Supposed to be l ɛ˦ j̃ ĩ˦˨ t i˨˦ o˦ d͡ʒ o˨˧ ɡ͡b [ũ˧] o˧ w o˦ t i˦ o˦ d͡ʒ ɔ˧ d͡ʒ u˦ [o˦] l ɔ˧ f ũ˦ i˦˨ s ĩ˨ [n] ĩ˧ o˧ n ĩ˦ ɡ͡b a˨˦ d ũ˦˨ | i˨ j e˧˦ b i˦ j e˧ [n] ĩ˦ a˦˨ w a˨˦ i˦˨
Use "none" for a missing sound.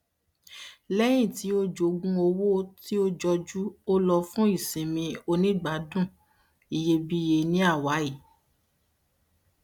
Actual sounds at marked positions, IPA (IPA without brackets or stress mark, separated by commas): ũ˧, o˦, m, n